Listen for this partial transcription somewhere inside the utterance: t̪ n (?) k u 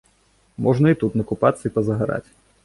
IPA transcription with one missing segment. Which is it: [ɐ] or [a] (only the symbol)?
ɐ